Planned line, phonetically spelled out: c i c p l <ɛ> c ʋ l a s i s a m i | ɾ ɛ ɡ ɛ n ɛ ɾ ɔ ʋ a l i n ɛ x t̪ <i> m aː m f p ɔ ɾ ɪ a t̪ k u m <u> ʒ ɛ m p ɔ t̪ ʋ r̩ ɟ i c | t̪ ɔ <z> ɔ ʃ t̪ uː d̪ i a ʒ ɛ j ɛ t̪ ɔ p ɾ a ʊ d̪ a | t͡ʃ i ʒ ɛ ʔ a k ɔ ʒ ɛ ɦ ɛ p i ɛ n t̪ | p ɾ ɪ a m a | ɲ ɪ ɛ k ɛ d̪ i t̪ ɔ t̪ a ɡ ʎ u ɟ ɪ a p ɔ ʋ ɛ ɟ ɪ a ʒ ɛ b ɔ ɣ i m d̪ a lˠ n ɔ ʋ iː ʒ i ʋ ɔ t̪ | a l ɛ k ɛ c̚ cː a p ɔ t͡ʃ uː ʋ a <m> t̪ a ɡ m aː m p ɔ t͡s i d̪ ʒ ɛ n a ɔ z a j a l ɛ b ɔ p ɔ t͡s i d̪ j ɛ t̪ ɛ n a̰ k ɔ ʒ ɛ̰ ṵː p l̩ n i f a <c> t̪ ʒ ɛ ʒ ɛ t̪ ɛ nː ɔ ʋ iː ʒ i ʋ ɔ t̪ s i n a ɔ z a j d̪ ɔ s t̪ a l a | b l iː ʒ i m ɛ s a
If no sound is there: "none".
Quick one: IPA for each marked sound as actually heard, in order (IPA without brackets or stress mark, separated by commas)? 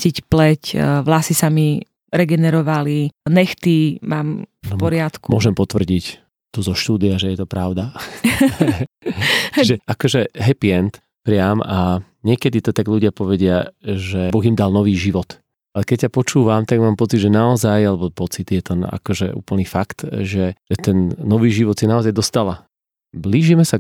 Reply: ɛ, i, ɔ, z, m, k